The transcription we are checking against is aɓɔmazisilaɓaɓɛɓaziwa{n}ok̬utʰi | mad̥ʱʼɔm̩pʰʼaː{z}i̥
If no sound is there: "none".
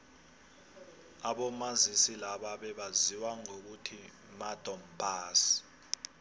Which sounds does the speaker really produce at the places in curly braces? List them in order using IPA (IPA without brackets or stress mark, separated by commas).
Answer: ŋ, s